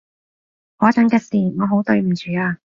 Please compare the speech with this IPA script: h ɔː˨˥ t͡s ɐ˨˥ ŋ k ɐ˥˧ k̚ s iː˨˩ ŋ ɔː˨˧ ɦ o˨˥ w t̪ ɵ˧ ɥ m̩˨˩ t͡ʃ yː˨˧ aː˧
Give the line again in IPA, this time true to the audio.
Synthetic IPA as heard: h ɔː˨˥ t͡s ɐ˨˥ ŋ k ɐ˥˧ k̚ s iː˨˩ ŋ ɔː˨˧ ɦ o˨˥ w t̪ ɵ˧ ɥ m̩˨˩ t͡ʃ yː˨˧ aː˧